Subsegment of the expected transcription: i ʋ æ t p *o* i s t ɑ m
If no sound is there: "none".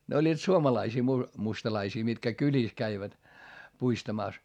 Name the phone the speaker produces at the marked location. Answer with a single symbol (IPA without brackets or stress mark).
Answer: u